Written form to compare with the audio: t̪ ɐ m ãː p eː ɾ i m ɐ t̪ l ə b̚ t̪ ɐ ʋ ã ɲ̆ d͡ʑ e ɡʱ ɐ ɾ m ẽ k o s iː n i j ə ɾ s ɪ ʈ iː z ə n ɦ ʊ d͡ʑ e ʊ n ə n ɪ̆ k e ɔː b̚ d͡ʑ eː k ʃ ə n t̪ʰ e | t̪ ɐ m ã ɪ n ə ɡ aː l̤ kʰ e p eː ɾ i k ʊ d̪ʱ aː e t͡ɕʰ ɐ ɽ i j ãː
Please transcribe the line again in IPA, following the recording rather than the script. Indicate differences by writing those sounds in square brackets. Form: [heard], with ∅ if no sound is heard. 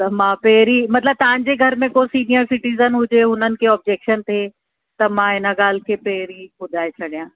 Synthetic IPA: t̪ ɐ m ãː p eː ɾ i m ɐ t̪ l ə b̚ t̪ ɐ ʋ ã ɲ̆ d͡ʑ e ɡʱ ɐ ɾ m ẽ k o s iː n i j ə ɾ s ɪ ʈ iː z ə n ɦ ʊ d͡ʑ e ʊ n ə n ɪ̆ k e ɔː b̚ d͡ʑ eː k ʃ ə n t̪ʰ e | t̪ ɐ m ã ɪ n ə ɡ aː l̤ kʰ e p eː ɾ i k ʊ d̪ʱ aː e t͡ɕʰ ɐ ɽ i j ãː